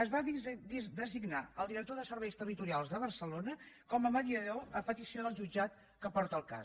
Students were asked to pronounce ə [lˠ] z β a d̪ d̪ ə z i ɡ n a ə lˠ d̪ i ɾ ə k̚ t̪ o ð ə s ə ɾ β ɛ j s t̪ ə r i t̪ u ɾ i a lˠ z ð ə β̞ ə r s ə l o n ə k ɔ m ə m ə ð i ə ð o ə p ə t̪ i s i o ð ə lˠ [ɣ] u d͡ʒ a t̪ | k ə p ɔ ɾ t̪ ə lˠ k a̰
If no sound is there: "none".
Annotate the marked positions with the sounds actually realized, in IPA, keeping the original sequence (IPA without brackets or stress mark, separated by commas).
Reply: none, ʒ